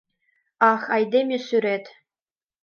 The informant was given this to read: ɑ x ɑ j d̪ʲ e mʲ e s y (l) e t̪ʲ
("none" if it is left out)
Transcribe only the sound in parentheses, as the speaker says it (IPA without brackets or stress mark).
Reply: ɾ